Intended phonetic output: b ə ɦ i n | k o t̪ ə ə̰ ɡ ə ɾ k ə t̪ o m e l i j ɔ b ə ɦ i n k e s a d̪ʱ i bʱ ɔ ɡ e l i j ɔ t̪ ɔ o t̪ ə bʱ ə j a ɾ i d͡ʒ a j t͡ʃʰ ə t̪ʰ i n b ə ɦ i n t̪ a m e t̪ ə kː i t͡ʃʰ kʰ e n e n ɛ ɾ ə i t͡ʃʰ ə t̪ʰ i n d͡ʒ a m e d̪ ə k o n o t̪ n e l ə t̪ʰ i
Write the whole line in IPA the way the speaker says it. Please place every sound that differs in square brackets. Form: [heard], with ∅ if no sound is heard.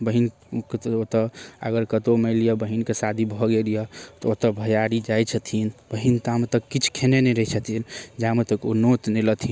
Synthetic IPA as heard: b ə ɦ i n | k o t̪ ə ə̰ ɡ ə ɾ k ə t̪ o m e l i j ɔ b ə ɦ i n k e s a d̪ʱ i bʱ ɔ ɡ e l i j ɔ t̪ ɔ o t̪ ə bʱ ə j a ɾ i d͡ʒ a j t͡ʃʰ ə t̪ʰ i n b ə ɦ i n t̪ a m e t̪ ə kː i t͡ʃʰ kʰ e n e n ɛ ɾ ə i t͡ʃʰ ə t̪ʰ i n d͡ʒ a m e [t̪] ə k o n o t̪ n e l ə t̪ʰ i

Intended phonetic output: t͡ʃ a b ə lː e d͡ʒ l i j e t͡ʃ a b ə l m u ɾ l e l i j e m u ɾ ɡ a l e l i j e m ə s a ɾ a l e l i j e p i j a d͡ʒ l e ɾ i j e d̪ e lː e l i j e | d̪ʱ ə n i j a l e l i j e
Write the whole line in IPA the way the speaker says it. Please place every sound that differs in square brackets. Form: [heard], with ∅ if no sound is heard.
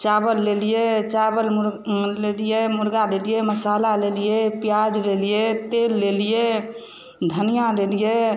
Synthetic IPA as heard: t͡ʃ a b ə lː e [∅] l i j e t͡ʃ a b ə l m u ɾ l e l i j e m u ɾ ɡ a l e l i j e m ə s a [l] a l e l i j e p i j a d͡ʒ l e [l] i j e [t̪] e lː e l i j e | d̪ʱ ə n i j a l e l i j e

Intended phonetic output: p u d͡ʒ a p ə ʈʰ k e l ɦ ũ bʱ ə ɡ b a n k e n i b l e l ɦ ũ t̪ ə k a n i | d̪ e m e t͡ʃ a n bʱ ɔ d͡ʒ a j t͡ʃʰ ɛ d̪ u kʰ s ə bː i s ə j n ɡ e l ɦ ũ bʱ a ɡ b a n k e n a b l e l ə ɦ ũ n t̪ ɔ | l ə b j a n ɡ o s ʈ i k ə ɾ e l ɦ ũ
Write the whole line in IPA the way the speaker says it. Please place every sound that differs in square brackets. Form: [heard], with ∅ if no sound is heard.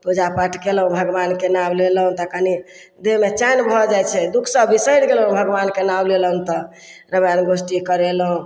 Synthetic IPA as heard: p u d͡ʒ a p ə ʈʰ k e l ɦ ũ bʱ ə ɡ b a n k e n [a] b l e l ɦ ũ t̪ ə k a n i | d̪ e m e t͡ʃ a n bʱ ɔ d͡ʒ a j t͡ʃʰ ɛ d̪ u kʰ s ə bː i s ə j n ɡ e l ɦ ũ bʱ [ə] ɡ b a n k e n a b l e l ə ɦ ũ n t̪ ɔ | [ɾ] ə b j a n ɡ o s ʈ i k ə ɾ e l ɦ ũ

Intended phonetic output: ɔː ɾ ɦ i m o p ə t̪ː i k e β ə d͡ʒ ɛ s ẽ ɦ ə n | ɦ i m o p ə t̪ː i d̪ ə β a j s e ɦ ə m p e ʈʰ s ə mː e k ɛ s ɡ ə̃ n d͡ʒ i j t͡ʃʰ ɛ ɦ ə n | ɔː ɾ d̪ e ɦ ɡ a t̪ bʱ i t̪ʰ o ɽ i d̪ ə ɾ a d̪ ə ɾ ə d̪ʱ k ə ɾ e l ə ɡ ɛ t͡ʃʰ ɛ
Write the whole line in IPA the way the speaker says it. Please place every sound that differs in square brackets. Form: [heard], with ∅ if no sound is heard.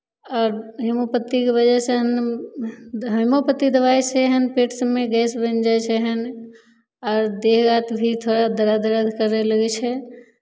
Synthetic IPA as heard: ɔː ɾ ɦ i m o p ə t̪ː i k e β ə d͡ʒ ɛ s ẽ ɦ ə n | ɦ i m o p ə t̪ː i d̪ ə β a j s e ɦ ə [n] p e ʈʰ s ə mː e [ɡ] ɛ s [b] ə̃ n d͡ʒ [a] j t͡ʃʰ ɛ ɦ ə n | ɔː ɾ d̪ e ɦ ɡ a t̪ bʱ i t̪ʰ o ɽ [a] d̪ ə ɾ a d̪ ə ɾ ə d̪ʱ k ə ɾ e l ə ɡ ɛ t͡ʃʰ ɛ

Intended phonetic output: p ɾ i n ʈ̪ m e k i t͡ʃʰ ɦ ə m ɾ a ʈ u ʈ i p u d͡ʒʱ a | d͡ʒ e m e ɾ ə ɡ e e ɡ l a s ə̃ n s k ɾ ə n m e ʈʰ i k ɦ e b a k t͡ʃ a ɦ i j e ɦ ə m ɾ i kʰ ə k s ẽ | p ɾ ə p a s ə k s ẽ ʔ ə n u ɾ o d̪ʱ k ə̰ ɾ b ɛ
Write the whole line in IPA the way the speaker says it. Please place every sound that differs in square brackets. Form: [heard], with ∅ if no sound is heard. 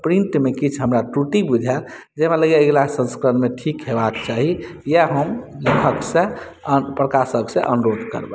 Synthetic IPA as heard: p ɾ i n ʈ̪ m e k i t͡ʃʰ ɦ ə m ɾ a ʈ u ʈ i [b] u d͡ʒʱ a | d͡ʒ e m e [l] ə ɡ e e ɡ l a s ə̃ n s k ɾ ə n m e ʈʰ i k ɦ e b a k t͡ʃ a ɦ i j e ɦ ə m [l] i kʰ ə k s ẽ | p ɾ ə [k] a s ə k s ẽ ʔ ə n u ɾ o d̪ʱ k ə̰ ɾ b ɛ

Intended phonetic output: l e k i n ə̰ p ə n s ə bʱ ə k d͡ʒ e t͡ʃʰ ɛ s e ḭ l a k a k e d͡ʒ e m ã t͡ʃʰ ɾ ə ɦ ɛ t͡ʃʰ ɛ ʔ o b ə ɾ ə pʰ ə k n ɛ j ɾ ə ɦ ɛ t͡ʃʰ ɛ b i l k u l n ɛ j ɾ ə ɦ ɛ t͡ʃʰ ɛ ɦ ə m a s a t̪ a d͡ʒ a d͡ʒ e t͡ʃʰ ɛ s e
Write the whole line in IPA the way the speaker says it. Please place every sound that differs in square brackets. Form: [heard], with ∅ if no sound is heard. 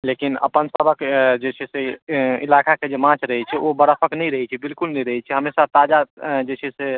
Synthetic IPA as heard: l e k i n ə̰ p ə n s ə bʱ ə k d͡ʒ e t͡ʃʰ ɛ s e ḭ l a k a k e d͡ʒ e m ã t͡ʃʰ ɾ ə ɦ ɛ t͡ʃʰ ɛ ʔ o b ə ɾ ə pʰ ə k n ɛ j ɾ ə ɦ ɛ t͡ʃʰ ɛ b i l k u l n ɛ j ɾ ə ɦ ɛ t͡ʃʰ ɛ ɦ ə m [e] s a t̪ a d͡ʒ a d͡ʒ e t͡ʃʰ ɛ s e

